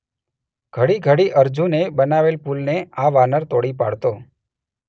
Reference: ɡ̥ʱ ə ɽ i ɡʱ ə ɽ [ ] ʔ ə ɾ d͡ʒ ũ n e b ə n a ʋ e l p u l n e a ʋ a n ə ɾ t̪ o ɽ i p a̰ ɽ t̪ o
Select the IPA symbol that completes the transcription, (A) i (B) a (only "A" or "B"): A